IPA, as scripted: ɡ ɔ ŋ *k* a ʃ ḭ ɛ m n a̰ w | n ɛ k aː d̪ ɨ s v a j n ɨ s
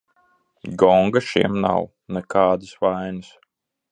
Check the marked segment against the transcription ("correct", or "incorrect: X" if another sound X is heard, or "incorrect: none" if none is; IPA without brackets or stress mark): incorrect: ɡ